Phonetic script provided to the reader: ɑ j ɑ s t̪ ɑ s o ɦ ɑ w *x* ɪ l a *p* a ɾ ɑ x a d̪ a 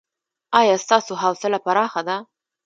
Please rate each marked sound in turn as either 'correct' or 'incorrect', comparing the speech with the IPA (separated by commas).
incorrect, correct